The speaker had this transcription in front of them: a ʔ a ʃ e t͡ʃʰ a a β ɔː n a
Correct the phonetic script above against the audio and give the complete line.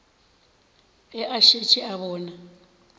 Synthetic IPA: ɛ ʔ a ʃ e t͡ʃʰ i a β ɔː n a